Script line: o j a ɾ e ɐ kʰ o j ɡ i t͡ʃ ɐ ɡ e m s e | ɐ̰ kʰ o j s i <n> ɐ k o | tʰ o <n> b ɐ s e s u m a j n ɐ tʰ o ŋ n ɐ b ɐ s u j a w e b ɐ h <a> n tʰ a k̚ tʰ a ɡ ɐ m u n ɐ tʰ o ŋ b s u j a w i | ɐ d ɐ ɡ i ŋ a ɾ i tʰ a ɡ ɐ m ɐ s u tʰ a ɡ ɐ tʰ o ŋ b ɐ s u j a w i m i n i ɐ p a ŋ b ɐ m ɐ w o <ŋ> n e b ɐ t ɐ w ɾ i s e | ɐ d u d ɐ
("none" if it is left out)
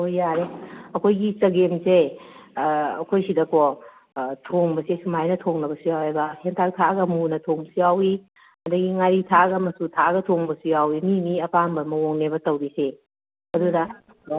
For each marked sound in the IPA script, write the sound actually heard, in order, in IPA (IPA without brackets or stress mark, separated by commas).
d, ŋ, e, ŋ